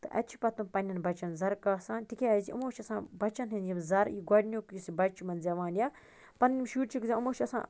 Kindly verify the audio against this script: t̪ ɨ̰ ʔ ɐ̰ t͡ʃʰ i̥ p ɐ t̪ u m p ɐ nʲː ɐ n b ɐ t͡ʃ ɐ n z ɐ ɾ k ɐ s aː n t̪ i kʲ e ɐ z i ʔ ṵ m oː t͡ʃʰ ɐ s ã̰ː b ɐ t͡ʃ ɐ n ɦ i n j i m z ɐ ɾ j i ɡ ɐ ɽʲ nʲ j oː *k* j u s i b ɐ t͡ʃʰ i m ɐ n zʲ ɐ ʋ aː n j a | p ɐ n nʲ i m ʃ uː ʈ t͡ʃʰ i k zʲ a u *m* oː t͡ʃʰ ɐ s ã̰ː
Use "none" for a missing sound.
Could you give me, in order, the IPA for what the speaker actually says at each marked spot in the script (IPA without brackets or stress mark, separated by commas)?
k, m